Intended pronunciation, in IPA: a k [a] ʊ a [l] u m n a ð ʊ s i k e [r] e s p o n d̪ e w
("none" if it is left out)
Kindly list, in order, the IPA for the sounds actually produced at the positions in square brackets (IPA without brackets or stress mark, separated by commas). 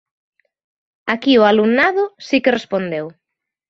i, l, r